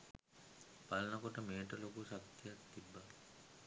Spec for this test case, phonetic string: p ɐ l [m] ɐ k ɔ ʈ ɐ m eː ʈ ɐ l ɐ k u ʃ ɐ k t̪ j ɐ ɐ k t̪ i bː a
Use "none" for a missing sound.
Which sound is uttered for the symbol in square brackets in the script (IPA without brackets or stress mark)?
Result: n